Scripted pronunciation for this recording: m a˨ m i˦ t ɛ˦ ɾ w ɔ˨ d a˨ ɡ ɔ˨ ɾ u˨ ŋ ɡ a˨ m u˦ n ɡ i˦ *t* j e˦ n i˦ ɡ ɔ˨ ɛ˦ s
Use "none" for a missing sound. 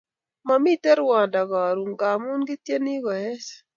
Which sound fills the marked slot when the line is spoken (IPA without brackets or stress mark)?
t